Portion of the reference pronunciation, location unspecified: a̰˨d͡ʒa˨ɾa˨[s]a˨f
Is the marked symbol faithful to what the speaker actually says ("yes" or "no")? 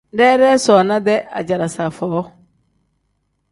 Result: yes